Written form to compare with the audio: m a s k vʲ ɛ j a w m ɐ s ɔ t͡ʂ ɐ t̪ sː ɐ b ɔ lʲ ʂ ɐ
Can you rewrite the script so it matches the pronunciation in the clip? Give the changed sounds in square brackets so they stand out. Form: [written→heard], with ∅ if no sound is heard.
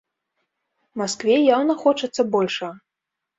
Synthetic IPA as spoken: m a s k vʲ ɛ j a w [m→n] ɐ [s→x] ɔ t͡ʂ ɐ t̪ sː ɐ b ɔ lʲ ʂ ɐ